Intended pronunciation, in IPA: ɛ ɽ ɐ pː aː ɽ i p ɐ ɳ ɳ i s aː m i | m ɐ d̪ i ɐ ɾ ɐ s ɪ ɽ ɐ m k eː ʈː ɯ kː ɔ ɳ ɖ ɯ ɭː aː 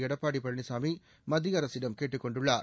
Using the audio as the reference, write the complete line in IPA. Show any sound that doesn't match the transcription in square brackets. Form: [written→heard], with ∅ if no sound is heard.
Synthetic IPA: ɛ ɽ ɐ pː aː ɽ i p ɐ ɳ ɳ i s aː m i | m ɐ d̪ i ɐ ɾ ɐ s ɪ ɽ ɐ m k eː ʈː ɯ kː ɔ ɳ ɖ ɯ ɭː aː